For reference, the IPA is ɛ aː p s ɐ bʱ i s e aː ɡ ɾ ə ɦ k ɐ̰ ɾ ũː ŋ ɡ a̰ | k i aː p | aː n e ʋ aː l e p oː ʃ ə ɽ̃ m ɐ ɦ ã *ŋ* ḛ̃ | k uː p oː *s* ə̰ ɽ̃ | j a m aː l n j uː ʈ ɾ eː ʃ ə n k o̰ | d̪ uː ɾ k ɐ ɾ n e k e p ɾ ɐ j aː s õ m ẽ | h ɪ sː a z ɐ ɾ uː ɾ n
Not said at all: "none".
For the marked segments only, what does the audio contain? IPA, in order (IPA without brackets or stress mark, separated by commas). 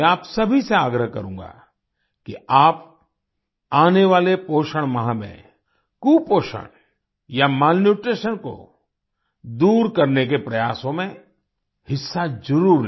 m, ʃ